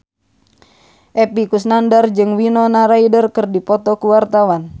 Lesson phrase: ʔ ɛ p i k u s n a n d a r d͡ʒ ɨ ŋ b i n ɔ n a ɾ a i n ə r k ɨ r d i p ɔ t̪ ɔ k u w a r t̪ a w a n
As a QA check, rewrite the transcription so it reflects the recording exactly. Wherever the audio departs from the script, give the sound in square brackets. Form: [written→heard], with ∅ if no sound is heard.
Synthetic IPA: ʔ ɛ p i k u s n a n d a r d͡ʒ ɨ ŋ [b→w] i n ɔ n a ɾ a i [n→d] ə r k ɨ r d i p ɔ t̪ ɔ k u w a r t̪ a w a n